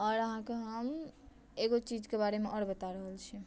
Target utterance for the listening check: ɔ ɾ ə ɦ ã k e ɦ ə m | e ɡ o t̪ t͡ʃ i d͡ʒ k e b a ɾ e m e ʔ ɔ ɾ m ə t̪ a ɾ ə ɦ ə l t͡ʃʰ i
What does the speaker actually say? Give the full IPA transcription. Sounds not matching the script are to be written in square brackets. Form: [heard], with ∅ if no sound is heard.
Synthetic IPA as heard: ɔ ɾ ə ɦ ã k e ɦ ə m | e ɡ o [∅] t͡ʃ i d͡ʒ k e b a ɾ e m e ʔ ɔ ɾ [b] ə t̪ a ɾ ə ɦ ə l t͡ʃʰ i